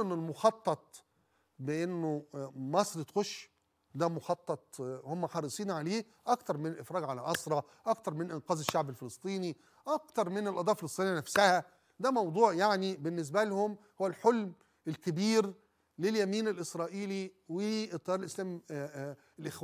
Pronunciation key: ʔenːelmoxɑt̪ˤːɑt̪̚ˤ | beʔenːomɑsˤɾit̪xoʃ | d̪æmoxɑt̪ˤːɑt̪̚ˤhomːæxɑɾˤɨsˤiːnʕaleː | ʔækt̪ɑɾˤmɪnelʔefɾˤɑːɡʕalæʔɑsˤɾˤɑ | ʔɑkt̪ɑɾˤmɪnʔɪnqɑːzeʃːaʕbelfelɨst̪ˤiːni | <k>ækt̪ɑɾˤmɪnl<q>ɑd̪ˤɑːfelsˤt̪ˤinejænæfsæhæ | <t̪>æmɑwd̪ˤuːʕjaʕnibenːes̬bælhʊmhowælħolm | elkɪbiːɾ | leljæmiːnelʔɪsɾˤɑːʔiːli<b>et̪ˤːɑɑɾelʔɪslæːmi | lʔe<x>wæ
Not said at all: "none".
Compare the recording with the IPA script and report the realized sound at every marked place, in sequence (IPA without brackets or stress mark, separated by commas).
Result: ʔ, ʔ, d̪, w, x